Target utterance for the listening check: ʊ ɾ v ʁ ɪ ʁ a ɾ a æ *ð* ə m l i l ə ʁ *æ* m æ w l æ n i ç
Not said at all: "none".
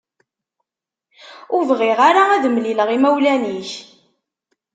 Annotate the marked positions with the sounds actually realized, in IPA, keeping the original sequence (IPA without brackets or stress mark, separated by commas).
ð, i